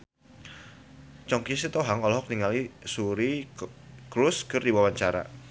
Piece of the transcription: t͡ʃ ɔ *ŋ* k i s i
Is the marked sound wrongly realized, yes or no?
no